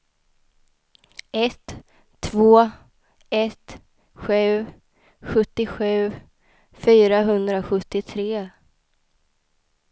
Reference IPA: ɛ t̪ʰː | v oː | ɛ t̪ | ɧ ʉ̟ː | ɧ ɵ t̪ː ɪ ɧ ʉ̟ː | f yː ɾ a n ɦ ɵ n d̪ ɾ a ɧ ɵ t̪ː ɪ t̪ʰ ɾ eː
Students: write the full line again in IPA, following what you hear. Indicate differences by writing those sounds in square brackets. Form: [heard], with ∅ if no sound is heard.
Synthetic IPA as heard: ɛ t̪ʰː | v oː | ɛ t̪ | ɧ ʉ̟ː | ɧ ɵ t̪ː ɪ ɧ ʉ̟ː | f yː ɾ a [∅] ɦ ɵ n d̪ ɾ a ɧ ɵ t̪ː ɪ t̪ʰ ɾ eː